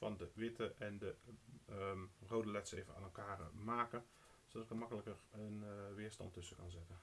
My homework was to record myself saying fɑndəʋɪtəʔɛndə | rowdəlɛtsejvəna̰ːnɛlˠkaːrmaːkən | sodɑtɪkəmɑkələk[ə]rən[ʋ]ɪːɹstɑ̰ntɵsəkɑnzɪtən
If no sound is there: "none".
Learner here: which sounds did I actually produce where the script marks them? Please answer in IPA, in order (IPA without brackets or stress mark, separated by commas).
ə, ʋ